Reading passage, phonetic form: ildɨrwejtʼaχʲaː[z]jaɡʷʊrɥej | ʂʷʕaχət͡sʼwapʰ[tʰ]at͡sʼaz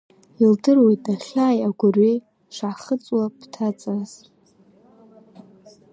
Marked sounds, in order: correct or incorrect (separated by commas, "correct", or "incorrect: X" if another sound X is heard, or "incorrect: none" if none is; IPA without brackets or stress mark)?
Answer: incorrect: none, correct